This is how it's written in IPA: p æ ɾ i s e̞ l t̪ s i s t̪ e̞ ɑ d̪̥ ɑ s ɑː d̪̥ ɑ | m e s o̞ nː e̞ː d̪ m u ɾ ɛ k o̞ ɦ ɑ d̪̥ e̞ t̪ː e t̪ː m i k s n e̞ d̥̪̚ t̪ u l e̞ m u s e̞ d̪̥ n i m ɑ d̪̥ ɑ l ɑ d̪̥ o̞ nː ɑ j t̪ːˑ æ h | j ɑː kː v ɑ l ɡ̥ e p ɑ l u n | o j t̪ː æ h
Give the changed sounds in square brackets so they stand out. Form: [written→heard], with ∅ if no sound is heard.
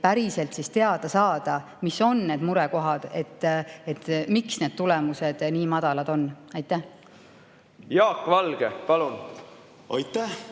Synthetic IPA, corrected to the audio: p æ ɾ i s e̞ l t̪ s i s t̪ e̞ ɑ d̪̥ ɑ s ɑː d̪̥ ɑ | m [e→i] s o̞ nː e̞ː d̪ m u ɾ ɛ k o̞ ɦ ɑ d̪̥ e̞ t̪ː e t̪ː m i k s n e̞ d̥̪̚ t̪ u l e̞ m u s e̞ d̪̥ n [i→iː] m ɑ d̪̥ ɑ l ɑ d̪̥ o̞ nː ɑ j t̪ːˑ æ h | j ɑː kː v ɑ l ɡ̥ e p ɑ l u n | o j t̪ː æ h